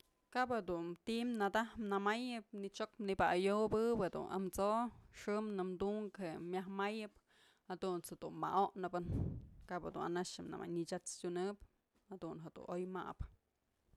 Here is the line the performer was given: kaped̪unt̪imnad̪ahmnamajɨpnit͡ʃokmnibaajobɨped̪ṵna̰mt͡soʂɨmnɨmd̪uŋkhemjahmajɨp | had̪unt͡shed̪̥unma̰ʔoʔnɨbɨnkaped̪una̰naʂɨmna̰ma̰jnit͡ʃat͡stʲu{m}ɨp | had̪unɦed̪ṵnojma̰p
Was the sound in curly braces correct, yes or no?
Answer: no